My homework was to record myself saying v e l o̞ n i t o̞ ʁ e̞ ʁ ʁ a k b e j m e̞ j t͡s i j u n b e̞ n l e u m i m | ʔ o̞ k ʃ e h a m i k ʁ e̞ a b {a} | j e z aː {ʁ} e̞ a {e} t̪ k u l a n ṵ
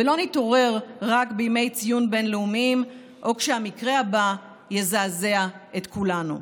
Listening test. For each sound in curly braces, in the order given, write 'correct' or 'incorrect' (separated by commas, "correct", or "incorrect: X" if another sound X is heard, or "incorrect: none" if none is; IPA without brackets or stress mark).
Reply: correct, incorrect: z, correct